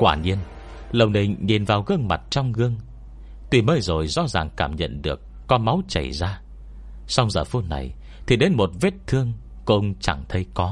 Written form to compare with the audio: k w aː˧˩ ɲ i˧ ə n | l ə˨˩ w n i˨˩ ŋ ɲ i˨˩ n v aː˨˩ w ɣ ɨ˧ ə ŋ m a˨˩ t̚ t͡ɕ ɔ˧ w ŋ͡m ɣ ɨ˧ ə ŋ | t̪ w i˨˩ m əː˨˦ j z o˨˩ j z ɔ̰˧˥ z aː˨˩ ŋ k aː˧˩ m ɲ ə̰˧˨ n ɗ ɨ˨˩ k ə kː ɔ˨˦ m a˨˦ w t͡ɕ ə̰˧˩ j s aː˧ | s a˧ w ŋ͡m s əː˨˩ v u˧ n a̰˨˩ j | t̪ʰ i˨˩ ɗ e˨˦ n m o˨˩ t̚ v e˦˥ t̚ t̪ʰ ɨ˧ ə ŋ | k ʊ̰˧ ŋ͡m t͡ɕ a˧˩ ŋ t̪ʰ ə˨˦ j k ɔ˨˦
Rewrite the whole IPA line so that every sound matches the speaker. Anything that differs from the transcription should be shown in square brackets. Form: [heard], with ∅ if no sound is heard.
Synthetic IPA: k w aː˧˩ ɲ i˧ ə n | l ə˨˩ w n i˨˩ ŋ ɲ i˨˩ n v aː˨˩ w ɣ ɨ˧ ə ŋ m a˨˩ t̚ t͡ɕ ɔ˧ w ŋ͡m ɣ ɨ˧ ə ŋ | t̪ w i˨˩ m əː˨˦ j z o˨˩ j z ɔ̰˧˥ z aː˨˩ ŋ k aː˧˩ m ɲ ə̰˧˨ n ɗ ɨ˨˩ [∅] ə kː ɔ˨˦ m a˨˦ w t͡ɕ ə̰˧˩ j [z] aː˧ | s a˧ w ŋ͡m [z] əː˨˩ [f] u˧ n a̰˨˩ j | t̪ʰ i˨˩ ɗ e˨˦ n m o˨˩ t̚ v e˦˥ t̚ t̪ʰ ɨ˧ ə ŋ | k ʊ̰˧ ŋ͡m t͡ɕ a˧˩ ŋ t̪ʰ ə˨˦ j k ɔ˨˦